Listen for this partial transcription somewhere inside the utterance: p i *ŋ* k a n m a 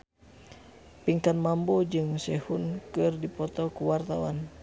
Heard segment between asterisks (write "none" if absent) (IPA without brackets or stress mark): ŋ